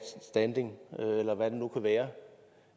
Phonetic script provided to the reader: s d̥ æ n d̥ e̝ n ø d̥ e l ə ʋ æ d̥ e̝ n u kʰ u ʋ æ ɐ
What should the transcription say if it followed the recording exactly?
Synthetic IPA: s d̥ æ n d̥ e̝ ŋ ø e l ɐ ʋ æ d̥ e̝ n u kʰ u ʋ æː ɐ

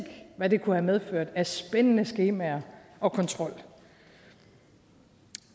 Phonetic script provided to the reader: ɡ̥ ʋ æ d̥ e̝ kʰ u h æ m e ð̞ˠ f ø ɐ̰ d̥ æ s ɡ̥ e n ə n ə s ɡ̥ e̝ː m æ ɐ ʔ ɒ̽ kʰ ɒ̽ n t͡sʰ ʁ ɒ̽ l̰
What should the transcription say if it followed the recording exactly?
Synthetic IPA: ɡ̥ ʋ æ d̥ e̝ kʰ u h æ m e ð̞ˠ f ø ɐ̰ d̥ æ s b̥ e n ə n ə s ɡ̥ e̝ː m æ ɐ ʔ ɒ̽ kʰ ɒ̽ n t͡sʰ ʁ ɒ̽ l̰

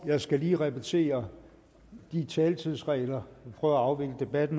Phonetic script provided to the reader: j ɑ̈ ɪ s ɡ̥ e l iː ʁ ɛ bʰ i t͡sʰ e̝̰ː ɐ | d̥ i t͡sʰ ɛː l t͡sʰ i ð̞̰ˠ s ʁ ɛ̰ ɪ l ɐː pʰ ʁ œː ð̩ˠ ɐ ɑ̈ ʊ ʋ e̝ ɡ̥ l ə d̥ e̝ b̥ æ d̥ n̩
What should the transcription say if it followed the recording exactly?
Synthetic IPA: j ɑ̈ ɪ s ɡ̥ æ l iː ʁ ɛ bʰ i t͡sʰ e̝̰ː ɐ | d̥ i t͡sʰ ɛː l t͡sʰ i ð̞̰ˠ s ʁ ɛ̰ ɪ l ɐ pʰ ʁ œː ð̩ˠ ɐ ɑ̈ ʊ ʋ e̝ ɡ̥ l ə d̥ e̝ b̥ æ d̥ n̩

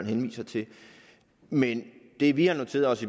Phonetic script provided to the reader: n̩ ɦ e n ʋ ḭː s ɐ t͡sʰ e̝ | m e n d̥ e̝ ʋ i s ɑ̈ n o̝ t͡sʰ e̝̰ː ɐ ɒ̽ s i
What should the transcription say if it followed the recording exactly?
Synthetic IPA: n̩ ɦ e n ʋ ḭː s ɐ t͡sʰ e̝ | m e n d̥ e̝ ʋ i h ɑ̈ n o̝ t͡sʰ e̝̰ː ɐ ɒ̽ s i

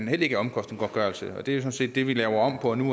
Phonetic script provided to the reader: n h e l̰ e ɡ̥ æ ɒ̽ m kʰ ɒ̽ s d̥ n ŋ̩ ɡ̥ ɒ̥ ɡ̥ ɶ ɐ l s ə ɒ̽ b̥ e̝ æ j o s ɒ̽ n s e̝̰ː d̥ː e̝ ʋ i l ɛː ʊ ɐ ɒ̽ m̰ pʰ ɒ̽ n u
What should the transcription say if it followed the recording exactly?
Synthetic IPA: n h e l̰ e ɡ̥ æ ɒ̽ m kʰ ɒ̽ s d̥ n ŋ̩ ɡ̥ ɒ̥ ɡ̥ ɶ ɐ l s ə ɒ̽ d̥ e̝ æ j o s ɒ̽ n s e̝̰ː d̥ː e̝ ʋ i l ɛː ʊ ɐ ɒ̽ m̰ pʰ ɒ̽ n u

